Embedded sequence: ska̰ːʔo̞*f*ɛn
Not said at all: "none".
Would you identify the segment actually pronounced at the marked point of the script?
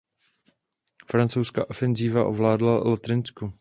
f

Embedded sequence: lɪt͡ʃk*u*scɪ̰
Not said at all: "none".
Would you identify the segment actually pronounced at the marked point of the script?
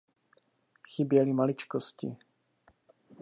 o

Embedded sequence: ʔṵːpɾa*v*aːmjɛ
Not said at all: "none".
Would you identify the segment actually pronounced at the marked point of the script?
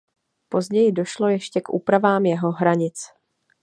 v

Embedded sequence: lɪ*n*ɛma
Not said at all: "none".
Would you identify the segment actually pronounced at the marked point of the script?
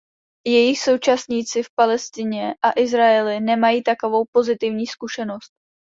n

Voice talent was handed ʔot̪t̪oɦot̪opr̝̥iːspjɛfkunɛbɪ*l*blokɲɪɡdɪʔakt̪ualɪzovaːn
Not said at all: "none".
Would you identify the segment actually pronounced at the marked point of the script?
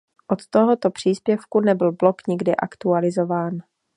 l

